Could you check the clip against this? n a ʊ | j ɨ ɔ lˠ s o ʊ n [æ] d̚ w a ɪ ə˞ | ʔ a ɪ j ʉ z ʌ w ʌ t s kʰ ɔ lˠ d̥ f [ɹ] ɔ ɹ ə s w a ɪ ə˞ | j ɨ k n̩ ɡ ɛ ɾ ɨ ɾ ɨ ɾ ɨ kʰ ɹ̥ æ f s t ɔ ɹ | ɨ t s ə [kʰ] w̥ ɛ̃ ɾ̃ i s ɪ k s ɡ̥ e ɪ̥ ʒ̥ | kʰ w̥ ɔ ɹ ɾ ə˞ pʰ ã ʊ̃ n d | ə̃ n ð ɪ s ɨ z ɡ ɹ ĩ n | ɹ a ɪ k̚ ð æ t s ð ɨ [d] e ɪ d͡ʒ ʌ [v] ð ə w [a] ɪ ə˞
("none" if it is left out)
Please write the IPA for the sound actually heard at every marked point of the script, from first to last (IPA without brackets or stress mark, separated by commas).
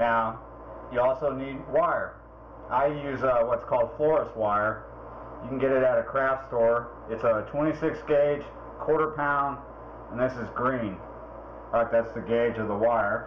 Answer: i, l, tʰ, ɡ, v, a